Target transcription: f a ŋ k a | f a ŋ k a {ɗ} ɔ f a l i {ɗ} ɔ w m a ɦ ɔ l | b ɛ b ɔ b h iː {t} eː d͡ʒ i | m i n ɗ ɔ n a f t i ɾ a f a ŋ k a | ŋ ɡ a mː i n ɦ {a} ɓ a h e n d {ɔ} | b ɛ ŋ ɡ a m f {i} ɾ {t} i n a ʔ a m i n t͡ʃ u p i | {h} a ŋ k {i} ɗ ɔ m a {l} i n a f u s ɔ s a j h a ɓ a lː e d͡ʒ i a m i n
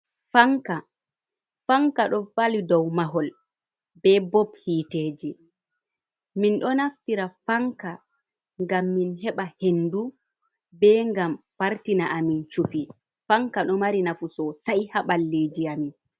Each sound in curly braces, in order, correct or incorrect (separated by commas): correct, incorrect, correct, incorrect, incorrect, incorrect, correct, incorrect, incorrect, incorrect